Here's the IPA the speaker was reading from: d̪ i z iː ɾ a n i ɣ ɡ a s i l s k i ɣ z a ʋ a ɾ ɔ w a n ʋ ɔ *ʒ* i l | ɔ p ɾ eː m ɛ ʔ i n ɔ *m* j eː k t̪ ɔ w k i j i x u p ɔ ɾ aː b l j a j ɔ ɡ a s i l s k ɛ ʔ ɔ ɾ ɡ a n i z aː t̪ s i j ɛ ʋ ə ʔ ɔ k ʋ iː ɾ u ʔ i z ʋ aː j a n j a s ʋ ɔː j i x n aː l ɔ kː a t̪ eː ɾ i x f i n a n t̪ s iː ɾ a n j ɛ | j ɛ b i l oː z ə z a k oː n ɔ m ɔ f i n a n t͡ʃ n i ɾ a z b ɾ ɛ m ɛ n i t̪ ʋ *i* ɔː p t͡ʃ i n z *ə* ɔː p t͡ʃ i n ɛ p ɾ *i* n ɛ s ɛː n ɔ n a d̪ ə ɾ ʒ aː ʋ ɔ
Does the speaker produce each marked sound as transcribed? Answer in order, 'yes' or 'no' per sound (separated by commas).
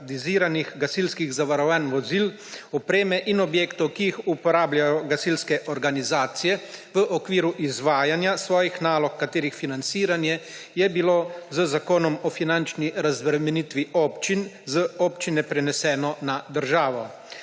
no, no, yes, yes, no